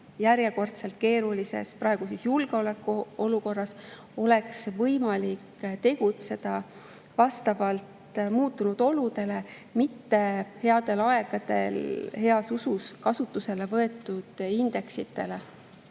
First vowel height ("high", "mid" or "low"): low